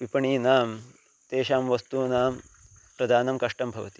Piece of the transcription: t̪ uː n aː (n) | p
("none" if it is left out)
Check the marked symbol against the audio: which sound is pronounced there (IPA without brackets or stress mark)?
m